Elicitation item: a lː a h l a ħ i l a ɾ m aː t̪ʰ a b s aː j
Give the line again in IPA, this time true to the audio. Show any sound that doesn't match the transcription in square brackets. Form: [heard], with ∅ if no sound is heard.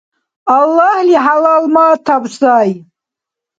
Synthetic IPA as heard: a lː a h l [i] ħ [a] l a [l] m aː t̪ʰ a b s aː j